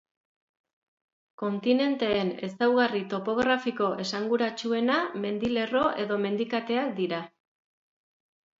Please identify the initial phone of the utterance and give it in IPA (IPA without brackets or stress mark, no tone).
k